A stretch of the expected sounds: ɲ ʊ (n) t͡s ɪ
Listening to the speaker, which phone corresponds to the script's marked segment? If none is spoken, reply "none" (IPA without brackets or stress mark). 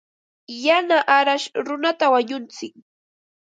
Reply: n